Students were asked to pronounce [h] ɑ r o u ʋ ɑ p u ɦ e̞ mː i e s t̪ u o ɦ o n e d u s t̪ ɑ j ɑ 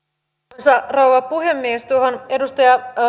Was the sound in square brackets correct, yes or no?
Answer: no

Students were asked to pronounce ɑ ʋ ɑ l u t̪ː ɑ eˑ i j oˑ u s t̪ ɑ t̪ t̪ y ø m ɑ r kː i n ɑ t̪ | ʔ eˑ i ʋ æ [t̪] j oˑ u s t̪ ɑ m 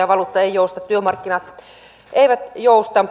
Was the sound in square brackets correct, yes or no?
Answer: yes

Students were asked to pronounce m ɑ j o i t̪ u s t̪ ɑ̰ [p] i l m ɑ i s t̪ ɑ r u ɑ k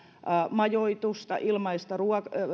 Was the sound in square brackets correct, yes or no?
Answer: no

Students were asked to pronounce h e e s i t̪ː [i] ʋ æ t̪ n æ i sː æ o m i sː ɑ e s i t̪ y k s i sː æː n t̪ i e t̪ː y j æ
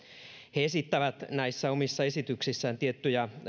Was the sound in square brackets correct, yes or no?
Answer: no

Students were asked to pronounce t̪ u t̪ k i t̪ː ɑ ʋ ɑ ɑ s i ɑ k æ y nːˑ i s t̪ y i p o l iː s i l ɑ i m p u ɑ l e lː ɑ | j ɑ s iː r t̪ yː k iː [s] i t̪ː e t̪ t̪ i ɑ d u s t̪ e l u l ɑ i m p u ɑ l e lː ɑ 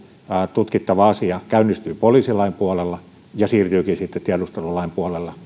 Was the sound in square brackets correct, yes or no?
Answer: yes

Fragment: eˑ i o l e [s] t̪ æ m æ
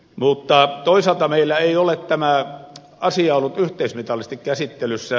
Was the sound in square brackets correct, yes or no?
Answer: no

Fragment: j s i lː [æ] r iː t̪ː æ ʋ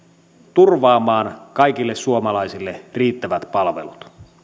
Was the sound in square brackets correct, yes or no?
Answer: no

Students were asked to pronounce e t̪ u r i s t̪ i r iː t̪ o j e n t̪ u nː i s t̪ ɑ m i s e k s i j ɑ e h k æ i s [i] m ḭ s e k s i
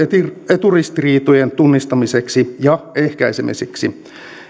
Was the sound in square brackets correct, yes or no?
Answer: no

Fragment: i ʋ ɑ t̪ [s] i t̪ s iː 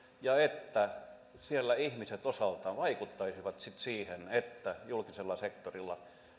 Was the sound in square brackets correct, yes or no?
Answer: yes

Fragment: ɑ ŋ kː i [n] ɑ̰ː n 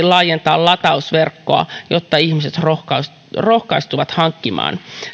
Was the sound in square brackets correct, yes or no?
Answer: no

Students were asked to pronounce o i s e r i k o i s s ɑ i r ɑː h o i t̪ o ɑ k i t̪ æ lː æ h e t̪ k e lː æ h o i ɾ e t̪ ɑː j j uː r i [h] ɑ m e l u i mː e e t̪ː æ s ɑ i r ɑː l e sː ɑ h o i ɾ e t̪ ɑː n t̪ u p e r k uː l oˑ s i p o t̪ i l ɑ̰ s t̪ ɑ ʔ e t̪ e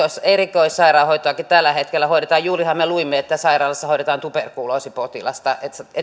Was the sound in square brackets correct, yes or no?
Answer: yes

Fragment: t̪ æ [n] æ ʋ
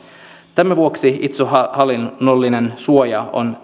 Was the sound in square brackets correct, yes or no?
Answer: no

